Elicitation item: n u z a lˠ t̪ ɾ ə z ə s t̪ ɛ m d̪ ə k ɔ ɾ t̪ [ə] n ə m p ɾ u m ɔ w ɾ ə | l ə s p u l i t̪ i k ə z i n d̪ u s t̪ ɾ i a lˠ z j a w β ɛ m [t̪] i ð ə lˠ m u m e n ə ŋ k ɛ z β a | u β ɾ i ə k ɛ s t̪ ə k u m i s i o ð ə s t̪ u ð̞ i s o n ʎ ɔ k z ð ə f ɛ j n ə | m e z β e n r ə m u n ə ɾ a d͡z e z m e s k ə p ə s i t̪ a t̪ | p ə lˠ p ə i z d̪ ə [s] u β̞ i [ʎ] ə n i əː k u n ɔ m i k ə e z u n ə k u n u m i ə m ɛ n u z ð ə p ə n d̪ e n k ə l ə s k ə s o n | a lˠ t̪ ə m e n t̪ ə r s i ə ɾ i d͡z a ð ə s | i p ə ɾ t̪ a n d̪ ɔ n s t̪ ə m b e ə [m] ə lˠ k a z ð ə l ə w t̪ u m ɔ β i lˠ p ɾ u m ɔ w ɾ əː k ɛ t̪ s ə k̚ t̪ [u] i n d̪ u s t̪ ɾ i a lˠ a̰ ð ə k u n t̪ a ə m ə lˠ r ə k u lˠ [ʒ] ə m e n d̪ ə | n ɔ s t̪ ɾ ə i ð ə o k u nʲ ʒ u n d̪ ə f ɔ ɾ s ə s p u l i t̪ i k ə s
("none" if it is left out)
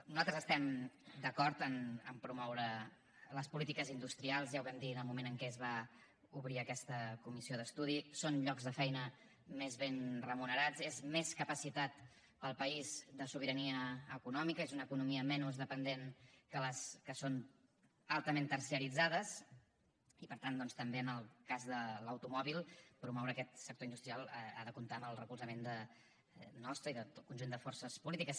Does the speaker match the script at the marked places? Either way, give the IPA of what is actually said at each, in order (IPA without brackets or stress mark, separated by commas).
ə, d̪, s, ɾ, n, o, z